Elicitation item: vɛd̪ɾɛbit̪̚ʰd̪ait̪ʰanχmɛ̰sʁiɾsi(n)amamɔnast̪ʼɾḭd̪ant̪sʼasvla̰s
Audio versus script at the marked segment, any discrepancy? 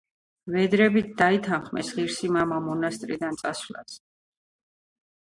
yes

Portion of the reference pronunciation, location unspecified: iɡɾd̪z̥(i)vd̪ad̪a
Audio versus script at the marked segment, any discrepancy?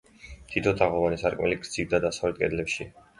no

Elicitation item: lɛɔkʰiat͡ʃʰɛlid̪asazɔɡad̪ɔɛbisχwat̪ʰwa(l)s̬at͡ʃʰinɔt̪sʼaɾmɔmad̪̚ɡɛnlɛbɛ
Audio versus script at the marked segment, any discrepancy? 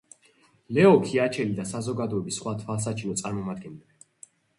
no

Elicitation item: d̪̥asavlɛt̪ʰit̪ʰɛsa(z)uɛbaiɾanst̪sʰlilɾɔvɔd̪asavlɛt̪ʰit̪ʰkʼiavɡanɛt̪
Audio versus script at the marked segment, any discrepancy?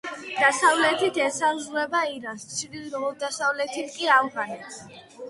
no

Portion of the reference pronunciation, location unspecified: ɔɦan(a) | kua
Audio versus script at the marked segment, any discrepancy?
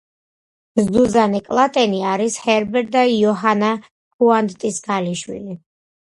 no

